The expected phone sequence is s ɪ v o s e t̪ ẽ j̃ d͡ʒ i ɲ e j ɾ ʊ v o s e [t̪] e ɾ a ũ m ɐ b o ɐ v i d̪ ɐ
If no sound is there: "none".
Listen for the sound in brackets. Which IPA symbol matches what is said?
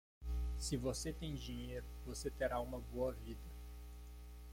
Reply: t̪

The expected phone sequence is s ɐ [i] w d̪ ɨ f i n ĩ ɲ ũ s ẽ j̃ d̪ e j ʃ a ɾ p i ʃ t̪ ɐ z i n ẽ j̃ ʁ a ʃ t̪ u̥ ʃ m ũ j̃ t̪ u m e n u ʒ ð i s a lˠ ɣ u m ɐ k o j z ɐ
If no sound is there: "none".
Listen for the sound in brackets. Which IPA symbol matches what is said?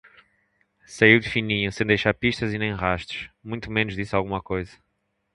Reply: i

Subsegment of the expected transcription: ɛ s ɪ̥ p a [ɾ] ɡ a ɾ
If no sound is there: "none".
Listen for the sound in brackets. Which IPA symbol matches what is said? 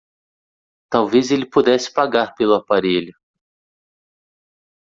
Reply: none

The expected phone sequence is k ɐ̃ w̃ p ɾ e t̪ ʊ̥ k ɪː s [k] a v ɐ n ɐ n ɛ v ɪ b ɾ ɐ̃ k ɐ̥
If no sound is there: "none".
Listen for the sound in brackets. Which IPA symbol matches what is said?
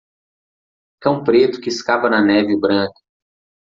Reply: k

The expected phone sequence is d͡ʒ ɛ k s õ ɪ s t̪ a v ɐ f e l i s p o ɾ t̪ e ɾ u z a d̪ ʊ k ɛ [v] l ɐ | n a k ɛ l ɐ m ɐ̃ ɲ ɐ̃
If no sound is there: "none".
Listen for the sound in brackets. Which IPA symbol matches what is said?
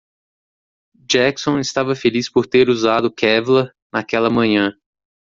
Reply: v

